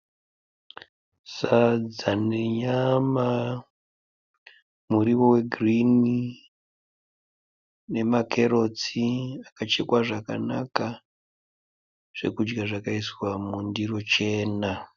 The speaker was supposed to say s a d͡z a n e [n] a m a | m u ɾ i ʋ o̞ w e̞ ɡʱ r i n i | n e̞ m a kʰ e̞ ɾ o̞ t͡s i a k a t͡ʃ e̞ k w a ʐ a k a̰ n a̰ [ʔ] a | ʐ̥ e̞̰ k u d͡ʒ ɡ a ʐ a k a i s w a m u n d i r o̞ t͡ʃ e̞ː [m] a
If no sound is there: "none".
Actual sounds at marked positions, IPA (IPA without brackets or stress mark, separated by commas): ɲ, k, n